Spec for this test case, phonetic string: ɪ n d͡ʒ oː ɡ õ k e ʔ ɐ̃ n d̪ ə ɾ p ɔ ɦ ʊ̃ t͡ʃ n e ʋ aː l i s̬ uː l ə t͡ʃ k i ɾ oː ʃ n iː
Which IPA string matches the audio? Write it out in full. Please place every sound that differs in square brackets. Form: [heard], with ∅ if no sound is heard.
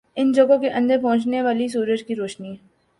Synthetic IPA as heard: ɪ n d͡ʒ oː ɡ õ k e ʔ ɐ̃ n d̪ ə ɾ p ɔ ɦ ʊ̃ t͡ʃ n e ʋ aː l i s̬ uː [ɾ] ə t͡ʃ k i ɾ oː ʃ n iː